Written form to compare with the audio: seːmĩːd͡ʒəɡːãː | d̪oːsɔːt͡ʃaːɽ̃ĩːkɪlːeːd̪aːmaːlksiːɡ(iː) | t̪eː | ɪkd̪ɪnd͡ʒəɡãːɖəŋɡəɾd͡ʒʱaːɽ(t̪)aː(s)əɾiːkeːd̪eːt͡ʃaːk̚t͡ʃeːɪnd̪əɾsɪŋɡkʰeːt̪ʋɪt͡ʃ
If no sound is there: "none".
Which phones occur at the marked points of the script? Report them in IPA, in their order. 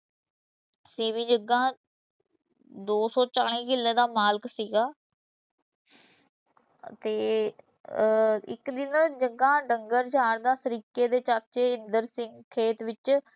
aː, d̪, s

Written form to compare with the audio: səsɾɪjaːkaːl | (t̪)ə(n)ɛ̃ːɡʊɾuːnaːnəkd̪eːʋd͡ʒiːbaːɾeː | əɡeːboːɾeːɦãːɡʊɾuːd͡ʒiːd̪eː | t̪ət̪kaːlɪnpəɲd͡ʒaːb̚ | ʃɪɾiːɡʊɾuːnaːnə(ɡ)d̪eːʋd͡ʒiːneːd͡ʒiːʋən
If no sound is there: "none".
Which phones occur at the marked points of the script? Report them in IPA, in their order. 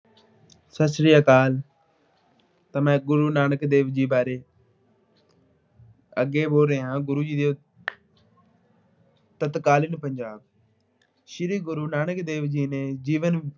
t̪, m, k

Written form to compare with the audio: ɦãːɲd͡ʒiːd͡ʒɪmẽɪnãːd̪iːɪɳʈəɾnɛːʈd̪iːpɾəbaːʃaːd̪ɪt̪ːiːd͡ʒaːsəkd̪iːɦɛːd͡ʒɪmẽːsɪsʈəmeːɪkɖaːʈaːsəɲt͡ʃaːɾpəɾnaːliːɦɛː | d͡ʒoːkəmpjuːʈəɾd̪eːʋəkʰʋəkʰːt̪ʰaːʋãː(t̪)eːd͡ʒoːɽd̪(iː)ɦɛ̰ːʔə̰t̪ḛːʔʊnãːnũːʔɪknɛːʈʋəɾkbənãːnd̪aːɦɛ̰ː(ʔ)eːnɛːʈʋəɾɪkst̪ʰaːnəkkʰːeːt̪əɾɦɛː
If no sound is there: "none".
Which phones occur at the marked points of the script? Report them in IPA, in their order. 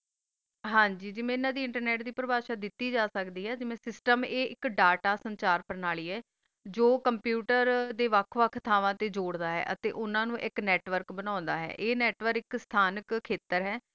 t̪, aː, ʔ

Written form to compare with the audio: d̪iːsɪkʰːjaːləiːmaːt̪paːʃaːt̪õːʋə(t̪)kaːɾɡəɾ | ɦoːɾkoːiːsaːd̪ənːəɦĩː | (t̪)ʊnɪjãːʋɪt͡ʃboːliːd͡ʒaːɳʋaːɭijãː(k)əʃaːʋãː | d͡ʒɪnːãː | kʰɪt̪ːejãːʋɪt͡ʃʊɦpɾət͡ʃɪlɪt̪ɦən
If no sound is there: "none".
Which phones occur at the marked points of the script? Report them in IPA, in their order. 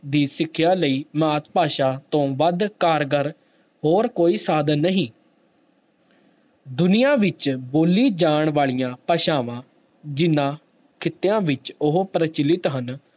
d̪, d̪, p

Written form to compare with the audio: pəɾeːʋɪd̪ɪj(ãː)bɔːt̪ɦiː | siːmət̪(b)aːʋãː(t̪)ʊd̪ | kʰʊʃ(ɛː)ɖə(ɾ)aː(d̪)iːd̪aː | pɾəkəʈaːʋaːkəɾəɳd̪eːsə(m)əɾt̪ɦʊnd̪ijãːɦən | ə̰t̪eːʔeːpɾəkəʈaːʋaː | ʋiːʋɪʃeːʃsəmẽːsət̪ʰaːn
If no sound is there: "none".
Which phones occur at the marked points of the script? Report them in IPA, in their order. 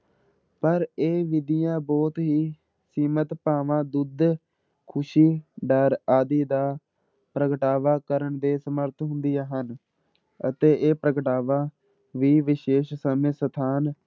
ãː, p, d̪, iː, ɾ, d̪, m

